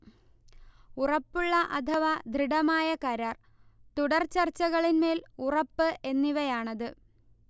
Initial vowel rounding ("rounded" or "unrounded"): rounded